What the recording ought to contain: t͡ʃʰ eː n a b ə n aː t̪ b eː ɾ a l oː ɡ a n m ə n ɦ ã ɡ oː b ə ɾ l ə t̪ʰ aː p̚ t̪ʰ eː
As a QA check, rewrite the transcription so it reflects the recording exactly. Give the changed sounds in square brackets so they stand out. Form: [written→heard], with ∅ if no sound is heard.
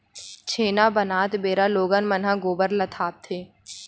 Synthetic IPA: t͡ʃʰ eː n a b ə n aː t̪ b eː ɾ a l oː ɡ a n m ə n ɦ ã ɡ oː b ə ɾ l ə t̪ʰ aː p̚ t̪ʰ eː